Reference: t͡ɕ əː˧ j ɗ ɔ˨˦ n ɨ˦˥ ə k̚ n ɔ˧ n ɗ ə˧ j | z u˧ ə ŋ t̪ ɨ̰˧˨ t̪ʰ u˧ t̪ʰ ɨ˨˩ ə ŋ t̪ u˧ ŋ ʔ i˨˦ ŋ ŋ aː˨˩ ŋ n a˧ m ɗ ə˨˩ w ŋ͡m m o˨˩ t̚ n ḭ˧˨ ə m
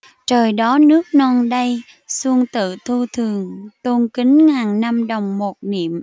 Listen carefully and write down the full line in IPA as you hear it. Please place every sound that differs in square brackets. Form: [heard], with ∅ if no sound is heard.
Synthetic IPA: t͡ɕ [əː˨˩] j ɗ ɔ˨˦ n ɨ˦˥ ə k̚ n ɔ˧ n ɗ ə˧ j | [s] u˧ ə ŋ t̪ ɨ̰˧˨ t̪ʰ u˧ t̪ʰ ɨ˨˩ ə ŋ t̪ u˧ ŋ [k] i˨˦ ŋ ŋ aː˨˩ ŋ n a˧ m ɗ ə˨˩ w ŋ͡m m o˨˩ t̚ n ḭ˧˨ ə m